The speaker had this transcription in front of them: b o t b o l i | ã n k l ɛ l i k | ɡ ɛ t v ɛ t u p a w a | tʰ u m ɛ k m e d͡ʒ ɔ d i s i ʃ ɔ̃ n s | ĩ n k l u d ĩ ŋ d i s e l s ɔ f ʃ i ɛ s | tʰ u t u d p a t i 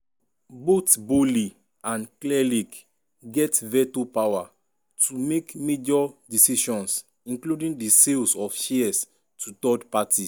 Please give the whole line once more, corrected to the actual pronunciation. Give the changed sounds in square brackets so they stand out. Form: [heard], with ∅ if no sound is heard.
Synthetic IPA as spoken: b o t b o l i | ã n k l ɛ l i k | ɡ ɛ t v ɛ t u p a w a | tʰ u m [e] k m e d͡ʒ ɔ d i s i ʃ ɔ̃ n s | ĩ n k l u d ĩ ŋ d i s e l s ɔ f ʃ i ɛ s | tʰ u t [ɔ] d p a t i